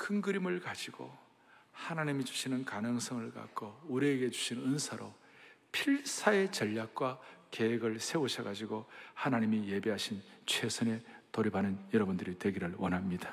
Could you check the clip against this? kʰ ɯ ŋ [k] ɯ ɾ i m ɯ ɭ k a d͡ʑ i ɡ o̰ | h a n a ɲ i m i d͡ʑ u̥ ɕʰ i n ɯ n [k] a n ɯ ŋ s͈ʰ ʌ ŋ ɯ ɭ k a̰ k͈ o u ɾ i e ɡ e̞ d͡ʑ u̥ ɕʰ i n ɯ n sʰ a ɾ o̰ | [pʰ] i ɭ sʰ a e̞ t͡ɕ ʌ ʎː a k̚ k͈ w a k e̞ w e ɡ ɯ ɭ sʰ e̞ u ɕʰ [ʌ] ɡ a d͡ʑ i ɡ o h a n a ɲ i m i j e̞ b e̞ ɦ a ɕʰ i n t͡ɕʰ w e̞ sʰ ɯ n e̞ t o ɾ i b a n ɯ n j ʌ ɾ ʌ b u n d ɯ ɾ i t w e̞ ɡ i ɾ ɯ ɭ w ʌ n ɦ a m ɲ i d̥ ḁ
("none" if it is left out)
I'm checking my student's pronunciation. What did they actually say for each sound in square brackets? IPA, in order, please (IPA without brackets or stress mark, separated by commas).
ɡ, k, pʰ, ʌ